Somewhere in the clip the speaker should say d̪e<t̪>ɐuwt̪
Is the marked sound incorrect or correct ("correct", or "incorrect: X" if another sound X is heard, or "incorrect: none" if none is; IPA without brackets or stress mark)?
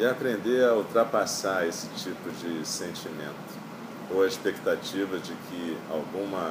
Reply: incorrect: none